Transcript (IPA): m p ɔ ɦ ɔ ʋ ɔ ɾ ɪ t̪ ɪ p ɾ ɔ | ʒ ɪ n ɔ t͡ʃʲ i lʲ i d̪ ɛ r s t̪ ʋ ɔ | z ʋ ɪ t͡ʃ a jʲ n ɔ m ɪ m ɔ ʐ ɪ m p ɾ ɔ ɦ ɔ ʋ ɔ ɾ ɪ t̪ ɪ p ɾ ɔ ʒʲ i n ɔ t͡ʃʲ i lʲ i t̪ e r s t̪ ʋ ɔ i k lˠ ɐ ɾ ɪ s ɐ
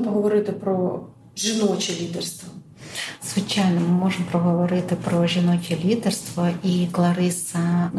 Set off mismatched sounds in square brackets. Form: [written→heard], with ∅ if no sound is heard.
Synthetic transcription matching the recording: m p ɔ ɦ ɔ ʋ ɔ ɾ ɪ t̪ ɪ p ɾ ɔ | ʒ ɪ n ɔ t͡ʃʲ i lʲ i d̪ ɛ r s t̪ ʋ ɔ | z ʋ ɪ t͡ʃ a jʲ n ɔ m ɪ m ɔ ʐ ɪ m p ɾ ɔ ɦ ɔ ʋ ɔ ɾ ɪ t̪ ɪ p ɾ ɔ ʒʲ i n ɔ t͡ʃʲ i lʲ i [t̪→d̪] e r s t̪ ʋ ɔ i k lˠ ɐ ɾ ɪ s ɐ